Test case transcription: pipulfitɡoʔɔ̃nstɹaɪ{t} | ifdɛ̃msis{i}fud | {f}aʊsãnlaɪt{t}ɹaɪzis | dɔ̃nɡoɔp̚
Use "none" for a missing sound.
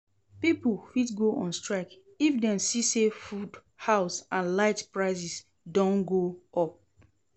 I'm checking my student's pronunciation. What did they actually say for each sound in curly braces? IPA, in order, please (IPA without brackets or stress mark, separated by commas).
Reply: k, e, h, p